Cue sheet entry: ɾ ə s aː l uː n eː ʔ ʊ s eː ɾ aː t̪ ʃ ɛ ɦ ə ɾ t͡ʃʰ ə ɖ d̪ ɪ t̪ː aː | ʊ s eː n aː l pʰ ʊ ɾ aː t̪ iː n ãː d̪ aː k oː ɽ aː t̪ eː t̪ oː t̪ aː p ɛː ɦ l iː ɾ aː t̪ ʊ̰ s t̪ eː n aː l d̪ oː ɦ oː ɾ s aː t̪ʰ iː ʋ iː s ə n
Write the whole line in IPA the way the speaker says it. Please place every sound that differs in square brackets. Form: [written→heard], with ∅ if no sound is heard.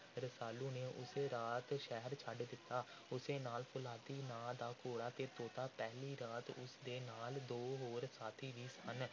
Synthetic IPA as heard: ɾ ə s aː l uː n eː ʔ ʊ s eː ɾ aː t̪ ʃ ɛ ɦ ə ɾ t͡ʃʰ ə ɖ d̪ ɪ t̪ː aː | ʊ s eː n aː l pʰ ʊ [ɾ→l] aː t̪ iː n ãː d̪ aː k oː ɽ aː t̪ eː t̪ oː t̪ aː p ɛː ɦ l iː ɾ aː t̪ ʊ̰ s [t̪→d̪] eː n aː l d̪ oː ɦ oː ɾ s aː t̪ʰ iː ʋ iː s ə n